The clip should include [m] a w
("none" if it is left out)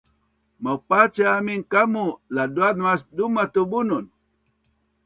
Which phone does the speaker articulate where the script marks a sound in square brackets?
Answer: m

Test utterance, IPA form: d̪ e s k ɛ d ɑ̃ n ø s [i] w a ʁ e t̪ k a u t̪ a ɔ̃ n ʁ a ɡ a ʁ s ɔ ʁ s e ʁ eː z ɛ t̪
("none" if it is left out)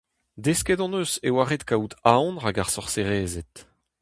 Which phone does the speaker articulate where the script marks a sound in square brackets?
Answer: e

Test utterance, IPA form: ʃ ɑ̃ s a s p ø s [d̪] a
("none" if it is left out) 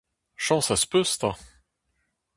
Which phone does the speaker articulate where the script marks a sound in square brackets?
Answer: t̪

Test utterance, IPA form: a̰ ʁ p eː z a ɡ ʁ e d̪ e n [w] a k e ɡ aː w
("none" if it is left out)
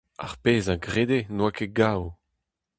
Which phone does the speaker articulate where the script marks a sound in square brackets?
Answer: w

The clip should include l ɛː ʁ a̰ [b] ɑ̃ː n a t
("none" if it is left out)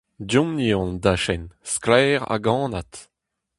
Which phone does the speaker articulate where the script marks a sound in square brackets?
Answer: ɡ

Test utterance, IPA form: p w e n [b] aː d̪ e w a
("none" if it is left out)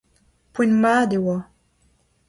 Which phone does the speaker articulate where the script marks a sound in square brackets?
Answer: m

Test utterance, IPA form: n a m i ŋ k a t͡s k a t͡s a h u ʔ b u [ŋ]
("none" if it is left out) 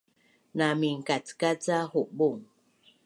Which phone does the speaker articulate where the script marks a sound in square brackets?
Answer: ŋ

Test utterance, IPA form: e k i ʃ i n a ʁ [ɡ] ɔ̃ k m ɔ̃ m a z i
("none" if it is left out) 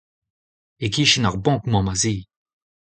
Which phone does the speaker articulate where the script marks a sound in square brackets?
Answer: b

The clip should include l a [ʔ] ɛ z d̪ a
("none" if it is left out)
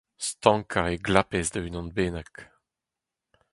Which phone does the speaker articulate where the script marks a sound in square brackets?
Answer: p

